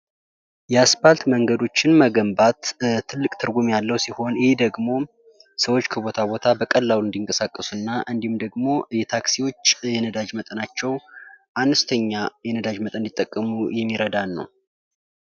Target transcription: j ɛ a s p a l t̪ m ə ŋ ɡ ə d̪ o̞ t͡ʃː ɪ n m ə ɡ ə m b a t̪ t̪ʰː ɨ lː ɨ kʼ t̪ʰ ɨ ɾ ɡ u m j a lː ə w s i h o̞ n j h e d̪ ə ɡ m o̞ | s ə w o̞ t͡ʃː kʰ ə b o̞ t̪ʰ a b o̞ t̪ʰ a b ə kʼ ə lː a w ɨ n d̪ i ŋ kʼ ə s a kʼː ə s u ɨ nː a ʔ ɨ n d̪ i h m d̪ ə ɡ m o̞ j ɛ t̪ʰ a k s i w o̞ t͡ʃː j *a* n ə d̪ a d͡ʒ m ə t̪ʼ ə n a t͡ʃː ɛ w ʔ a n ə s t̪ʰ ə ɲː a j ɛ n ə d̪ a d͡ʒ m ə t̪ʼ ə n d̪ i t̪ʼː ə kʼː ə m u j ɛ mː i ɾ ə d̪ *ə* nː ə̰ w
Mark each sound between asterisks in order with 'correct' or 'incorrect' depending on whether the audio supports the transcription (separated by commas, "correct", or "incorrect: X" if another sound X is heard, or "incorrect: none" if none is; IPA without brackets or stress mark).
incorrect: ɛ, incorrect: a